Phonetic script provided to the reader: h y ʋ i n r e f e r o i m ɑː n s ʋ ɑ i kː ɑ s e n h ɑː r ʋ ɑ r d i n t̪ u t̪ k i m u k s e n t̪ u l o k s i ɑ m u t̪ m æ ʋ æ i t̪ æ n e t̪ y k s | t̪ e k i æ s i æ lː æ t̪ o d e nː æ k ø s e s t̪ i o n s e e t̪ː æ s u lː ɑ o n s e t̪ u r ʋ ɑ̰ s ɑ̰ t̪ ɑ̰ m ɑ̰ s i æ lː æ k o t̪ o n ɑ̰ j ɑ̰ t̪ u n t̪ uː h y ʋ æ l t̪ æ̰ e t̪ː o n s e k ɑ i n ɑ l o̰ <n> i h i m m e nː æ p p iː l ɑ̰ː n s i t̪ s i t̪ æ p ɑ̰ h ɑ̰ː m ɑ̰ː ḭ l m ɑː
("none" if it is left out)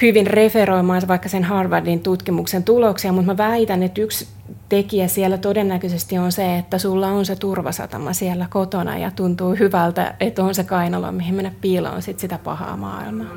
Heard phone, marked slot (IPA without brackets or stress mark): m